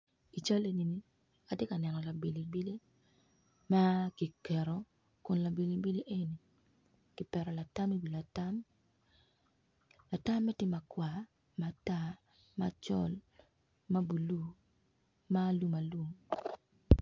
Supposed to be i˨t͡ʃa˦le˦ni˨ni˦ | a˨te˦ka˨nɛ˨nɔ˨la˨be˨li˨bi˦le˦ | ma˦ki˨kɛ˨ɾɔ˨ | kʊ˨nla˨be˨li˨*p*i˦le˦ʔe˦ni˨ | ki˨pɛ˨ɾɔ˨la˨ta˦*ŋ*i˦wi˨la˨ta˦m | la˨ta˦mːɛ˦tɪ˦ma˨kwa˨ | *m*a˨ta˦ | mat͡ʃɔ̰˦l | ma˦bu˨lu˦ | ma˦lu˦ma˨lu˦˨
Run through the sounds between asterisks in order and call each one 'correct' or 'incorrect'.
incorrect: b, incorrect: m, correct

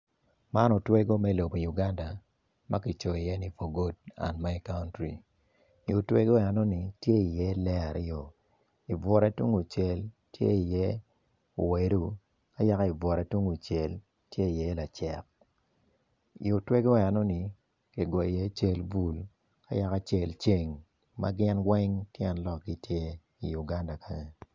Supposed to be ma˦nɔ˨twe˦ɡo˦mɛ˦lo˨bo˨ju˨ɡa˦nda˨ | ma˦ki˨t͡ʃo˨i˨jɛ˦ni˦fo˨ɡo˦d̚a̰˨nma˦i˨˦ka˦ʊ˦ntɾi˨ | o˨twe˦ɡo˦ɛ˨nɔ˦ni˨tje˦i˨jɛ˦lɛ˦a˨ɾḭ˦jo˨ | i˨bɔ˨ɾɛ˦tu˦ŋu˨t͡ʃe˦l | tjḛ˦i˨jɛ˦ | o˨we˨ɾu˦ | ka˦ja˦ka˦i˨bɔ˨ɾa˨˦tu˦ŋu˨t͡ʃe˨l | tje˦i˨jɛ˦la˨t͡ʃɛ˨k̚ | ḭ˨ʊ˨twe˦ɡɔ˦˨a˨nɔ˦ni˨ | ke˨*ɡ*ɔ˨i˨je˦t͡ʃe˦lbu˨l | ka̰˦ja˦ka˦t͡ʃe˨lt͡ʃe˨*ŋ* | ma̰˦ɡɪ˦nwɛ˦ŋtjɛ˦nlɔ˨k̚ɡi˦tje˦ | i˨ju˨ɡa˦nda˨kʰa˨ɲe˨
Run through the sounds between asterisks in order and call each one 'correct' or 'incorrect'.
correct, correct

